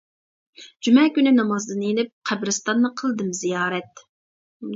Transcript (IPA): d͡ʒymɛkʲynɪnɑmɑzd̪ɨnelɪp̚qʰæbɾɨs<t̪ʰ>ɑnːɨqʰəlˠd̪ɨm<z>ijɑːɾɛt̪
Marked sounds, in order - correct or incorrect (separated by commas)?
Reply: incorrect, correct